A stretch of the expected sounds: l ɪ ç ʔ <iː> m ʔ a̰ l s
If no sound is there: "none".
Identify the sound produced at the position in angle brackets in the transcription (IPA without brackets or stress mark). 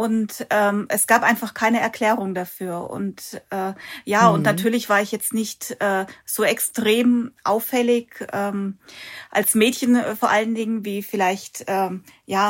ɛː